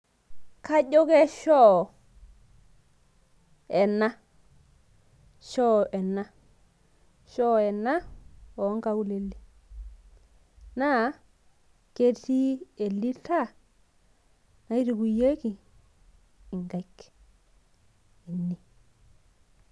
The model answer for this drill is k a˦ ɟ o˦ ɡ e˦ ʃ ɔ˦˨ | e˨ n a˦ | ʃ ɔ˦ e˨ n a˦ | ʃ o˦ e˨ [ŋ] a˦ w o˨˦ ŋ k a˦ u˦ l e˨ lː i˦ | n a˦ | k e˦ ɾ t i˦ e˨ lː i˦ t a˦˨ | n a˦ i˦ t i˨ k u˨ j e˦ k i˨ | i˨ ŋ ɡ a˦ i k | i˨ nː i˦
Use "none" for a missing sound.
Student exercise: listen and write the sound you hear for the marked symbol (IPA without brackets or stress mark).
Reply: n